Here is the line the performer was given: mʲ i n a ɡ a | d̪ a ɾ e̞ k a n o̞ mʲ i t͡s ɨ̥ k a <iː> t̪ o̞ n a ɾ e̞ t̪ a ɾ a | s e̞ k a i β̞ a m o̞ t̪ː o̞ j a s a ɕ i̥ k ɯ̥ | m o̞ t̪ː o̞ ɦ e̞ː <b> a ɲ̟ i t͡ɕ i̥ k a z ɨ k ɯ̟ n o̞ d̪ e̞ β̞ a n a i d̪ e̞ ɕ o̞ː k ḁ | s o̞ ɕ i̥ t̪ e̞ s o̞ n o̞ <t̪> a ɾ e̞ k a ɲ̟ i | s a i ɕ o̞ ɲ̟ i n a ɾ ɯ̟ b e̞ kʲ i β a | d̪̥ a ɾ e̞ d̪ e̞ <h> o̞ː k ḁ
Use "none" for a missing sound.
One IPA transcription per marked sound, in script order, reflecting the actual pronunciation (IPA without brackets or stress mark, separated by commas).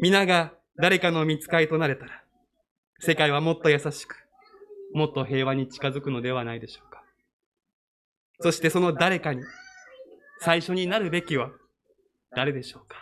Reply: i, β, d̪, ɕ